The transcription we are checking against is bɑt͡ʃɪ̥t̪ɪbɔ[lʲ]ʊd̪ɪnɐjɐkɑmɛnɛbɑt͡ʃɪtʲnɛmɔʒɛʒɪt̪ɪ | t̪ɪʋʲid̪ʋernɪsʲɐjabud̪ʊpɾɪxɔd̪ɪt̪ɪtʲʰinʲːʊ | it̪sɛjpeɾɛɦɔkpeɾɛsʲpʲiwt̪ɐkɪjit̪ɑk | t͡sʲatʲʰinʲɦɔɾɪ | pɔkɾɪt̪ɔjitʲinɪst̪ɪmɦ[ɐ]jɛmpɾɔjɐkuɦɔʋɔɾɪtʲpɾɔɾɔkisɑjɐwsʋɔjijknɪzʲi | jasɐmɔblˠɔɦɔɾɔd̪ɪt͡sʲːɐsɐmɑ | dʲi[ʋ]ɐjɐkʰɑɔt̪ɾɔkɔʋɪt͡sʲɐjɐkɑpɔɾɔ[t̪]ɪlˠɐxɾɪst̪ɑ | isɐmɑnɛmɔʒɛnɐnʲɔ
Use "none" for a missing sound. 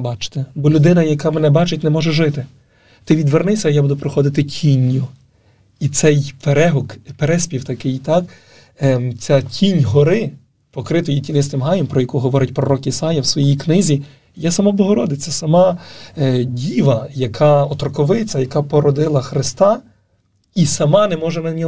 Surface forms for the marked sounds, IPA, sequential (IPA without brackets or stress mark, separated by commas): lʲ, ɑ, ʋ, d̪